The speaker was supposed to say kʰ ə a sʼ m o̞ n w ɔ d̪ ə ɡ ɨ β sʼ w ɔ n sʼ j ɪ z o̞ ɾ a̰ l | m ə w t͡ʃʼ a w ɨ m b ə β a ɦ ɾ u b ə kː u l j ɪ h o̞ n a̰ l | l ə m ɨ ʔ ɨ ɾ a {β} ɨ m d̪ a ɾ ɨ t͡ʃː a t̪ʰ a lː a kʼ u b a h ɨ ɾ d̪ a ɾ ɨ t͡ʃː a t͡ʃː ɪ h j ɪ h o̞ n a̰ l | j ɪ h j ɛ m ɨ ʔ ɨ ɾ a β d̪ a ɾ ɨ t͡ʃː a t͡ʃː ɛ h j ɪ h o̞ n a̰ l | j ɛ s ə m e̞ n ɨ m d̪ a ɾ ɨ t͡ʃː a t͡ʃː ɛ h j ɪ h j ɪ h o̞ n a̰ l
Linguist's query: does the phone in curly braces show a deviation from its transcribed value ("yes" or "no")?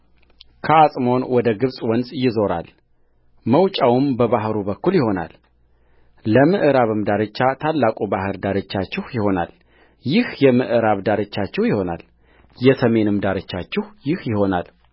no